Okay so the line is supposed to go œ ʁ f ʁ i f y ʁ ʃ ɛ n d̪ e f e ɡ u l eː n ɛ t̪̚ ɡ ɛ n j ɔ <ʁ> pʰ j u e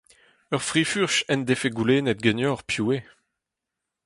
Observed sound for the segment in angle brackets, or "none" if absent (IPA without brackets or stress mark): ʁ